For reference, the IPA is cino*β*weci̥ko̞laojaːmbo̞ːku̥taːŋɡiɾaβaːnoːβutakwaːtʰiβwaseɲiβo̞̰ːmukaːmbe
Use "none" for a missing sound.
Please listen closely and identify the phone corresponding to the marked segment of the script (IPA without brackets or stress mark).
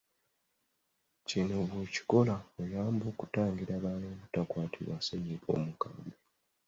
β